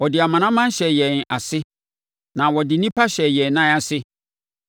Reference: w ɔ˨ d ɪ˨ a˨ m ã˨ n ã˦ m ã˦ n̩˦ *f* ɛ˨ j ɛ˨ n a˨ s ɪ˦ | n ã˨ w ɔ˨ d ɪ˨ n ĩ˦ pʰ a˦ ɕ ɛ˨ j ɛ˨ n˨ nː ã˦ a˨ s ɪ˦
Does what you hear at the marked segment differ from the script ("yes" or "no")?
yes